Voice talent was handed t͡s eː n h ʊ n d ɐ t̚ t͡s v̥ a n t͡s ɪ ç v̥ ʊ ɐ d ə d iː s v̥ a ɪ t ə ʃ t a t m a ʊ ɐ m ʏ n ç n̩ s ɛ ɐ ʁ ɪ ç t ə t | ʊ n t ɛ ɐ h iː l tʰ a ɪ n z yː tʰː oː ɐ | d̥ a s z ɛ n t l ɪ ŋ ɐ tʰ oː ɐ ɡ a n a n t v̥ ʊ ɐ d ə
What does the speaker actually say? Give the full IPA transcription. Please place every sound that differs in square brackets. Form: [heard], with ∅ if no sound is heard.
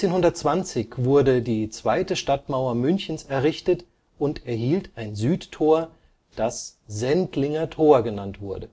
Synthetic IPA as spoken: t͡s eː n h ʊ n d ɐ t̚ t͡s v̥ a n t͡s ɪ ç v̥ ʊ ɐ d ə d iː [t͡s] v̥ a ɪ t ə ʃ t a t m a ʊ ɐ m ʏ n ç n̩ s ɛ ɐ ʁ ɪ ç t ə t | ʊ n t ɛ ɐ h iː l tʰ a ɪ n z yː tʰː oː ɐ | d̥ a s z ɛ n t l ɪ ŋ ɐ tʰ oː ɐ ɡ [ə] n a n t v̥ ʊ ɐ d ə